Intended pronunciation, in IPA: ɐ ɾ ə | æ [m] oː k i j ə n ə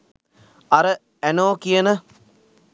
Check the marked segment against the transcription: incorrect: n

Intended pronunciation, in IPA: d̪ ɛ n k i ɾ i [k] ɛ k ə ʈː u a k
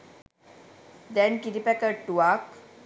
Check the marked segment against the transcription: incorrect: p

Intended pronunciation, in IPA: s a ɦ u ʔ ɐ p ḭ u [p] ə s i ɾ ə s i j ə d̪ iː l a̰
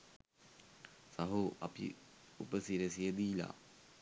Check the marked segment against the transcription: correct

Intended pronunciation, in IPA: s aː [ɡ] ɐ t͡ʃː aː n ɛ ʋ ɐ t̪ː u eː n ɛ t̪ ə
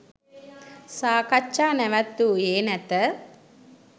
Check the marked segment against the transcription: incorrect: k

